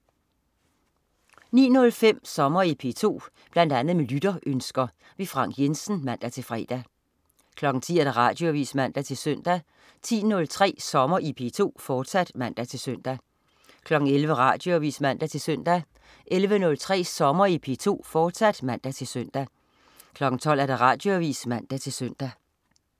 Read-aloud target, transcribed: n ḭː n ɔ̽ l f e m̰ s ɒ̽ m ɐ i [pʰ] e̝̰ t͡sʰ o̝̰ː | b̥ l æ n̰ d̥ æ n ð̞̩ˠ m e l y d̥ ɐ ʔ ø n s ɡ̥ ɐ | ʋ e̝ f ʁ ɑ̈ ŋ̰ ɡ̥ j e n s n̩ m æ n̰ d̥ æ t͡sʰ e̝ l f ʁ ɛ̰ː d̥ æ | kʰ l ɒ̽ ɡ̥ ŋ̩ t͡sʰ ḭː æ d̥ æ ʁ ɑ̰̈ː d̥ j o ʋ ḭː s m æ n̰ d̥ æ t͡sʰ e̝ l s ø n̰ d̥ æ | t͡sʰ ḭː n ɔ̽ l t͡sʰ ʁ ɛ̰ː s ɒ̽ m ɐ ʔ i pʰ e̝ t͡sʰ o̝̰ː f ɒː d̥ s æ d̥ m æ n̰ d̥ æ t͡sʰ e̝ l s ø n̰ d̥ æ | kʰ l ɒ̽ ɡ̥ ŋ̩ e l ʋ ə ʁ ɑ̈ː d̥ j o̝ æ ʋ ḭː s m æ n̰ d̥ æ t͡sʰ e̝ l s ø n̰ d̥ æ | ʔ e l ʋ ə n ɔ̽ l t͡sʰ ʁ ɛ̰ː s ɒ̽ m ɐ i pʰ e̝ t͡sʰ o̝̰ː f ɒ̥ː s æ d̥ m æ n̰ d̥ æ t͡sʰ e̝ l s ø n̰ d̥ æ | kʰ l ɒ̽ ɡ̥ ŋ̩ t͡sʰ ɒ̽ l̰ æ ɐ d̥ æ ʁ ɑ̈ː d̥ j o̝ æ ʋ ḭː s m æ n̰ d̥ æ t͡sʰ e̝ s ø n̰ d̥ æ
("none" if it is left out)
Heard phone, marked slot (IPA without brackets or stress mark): pʰ